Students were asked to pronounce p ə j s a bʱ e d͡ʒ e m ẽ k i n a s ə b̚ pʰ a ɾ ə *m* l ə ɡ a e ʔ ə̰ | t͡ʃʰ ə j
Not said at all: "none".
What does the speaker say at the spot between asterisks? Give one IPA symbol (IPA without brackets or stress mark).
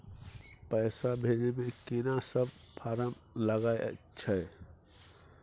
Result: m